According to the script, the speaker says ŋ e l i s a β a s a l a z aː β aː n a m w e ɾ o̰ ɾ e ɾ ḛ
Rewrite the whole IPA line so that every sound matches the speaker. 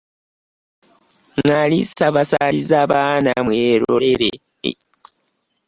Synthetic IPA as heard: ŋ a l i s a β a s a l i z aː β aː n a m w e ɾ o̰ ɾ e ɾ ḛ